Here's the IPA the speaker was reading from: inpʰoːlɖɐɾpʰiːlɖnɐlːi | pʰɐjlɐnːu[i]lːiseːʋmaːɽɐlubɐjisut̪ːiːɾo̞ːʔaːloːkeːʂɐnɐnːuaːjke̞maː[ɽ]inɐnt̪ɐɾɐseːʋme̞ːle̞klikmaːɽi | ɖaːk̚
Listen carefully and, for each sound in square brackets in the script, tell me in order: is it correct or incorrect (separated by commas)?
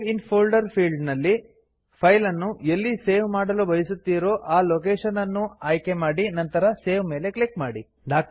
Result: incorrect, correct